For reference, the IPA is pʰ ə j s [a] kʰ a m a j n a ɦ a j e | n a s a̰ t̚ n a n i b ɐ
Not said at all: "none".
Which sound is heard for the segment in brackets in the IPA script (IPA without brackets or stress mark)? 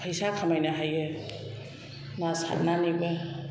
a